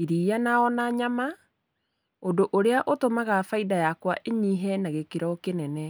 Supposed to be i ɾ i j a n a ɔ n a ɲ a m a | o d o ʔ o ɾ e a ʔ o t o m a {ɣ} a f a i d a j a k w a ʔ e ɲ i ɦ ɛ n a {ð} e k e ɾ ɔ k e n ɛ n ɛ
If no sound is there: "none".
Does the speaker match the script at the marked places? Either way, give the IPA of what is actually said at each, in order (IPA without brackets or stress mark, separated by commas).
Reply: ɣ, ɣ